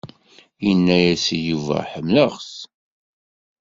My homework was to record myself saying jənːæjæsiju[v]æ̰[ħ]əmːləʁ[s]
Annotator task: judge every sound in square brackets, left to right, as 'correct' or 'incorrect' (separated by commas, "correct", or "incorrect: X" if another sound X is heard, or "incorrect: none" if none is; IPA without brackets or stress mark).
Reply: correct, correct, correct